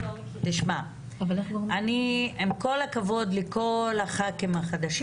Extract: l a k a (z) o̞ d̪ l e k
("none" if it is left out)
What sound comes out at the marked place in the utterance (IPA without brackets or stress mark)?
v